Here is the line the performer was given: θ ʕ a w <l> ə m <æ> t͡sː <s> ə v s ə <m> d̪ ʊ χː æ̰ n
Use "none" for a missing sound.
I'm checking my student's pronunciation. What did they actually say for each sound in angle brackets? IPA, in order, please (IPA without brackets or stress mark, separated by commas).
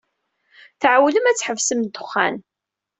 l, æ, ħ, m